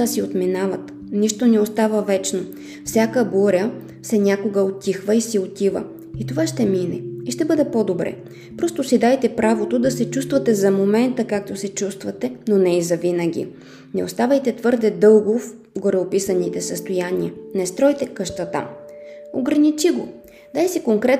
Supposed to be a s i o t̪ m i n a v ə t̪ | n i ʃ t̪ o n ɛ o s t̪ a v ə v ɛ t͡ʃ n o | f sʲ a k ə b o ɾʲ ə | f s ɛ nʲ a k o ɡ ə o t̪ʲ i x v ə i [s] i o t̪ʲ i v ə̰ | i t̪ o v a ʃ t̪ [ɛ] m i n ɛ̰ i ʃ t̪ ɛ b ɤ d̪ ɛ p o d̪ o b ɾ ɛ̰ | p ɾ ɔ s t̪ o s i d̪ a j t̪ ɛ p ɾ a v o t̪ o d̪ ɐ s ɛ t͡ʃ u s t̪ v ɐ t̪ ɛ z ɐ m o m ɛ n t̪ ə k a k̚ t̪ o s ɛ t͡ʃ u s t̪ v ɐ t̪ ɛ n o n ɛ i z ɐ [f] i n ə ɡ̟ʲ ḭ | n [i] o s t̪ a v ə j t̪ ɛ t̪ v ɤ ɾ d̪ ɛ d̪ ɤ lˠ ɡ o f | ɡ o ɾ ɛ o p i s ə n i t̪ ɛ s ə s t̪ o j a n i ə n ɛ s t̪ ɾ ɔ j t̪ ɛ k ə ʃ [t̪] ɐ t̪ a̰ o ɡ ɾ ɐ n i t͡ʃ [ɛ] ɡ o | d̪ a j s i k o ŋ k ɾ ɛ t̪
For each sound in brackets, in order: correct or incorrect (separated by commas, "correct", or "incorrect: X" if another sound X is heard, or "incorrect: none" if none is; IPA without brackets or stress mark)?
correct, correct, incorrect: v, incorrect: ɛ, correct, incorrect: i